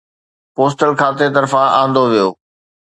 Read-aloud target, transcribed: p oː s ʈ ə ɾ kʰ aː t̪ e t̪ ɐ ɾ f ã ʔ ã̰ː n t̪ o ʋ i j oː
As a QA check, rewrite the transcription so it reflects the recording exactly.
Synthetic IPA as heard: p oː s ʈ ə l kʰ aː t̪ e t̪ ɐ ɾ f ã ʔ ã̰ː n d̪ o ʋ i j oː

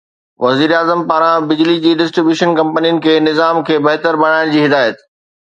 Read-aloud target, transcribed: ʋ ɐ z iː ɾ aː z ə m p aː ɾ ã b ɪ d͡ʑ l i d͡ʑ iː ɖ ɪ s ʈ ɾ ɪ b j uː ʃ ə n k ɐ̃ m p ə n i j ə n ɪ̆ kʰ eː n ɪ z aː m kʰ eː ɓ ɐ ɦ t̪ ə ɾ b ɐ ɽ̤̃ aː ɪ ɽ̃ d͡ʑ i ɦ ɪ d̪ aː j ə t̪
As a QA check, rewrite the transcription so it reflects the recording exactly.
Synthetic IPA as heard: ʋ ɐ z iː ɾ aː z ə m p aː ɾ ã b ɪ d͡ʑ l i d͡ʑ iː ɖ ɪ s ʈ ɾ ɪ b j uː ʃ ə n k ɐ̃ m p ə n i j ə n ɪ̆ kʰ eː n ɪ z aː m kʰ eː b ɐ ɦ t̪ ə ɾ b ɐ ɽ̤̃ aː ɪ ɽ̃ d͡ʑ iː ɦ ɪ d̪ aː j ə t̪

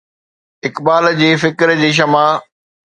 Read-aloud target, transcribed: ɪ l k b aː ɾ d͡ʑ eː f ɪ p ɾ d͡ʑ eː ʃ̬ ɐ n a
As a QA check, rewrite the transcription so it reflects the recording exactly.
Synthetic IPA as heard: ɪ k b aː l d͡ʑ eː f ɪ k ɾ d͡ʑ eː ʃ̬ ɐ m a

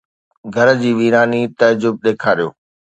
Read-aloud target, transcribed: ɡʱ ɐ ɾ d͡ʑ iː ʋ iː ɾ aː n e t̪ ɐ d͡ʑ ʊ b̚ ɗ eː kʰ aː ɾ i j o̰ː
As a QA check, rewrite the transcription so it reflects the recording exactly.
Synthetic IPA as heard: ɡʱ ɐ ɾ d͡ʑ iː ʋ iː ɾ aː n i t̪ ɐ d͡ʑ ʊ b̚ ɗ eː kʰ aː ɾ i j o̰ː

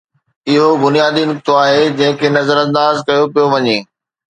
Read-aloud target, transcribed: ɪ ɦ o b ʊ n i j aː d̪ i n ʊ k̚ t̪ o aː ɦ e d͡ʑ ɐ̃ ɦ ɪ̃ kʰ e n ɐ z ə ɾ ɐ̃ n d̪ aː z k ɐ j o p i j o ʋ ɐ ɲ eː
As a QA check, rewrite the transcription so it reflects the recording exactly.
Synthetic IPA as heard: ɪ ɦ o b ʊ n i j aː d̪ i n ʊ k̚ t̪ o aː ɦ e d͡ʑ ɐ̃ ɦ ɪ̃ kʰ e n ɐ z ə ɾ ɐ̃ n d̪ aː z k ɐ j o p i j o ʋ ɐ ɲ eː

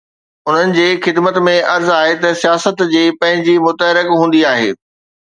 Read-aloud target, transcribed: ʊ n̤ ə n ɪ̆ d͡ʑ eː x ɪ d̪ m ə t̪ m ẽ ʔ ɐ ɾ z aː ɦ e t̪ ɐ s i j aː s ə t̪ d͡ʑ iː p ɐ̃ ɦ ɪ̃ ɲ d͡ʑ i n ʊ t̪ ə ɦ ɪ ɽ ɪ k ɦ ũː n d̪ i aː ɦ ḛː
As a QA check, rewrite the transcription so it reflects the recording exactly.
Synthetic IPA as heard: ʊ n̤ ə n ɪ̆ d͡ʑ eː x ɪ d̪ m ə t̪ m ẽ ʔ ɐ ɾ z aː ɦ e t̪ ɐ s i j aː s ə t̪ d͡ʑ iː p ɐ̃ ɦ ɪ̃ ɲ d͡ʑ i m ʊ t̪ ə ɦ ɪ ɾ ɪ k ɦ ũː n d̪ i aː ɦ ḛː

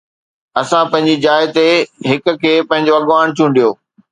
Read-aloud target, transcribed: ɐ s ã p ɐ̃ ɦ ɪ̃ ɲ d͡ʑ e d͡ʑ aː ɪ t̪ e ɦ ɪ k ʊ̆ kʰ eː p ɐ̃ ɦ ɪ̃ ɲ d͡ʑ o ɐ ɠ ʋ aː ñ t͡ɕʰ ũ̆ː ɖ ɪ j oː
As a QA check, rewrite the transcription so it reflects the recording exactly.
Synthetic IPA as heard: ɐ s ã p ɐ̃ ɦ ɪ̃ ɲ d͡ʑ i d͡ʑ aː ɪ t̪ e ɦ ɪ k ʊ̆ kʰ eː p ɐ̃ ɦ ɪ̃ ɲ d͡ʑ o ɐ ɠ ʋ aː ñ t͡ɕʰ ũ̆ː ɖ i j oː

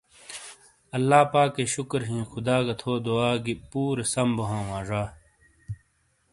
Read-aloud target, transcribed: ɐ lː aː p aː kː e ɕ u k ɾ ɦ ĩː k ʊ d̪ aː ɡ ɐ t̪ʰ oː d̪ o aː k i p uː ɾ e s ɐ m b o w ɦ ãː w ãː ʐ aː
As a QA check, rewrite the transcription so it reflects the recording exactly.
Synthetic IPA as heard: ɐ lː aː p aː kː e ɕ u k ɾ ɦ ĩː x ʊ d̪ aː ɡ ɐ t̪ʰ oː d̪ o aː ɡ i p uː ɾ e s ɐ m b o ɦ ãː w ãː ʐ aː

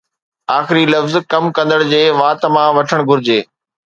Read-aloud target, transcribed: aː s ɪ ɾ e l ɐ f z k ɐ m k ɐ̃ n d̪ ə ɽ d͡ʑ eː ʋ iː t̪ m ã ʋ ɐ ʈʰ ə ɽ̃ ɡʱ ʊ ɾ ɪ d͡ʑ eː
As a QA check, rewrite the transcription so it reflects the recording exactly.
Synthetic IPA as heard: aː x ɪ ɾ i l ɐ f z k ɐ m k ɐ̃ n d̪ ə ɽ d͡ʑ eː ʋ aː t̪ m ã ʋ ɐ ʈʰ ə ɽ̃ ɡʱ ʊ ɾ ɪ d͡ʑ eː

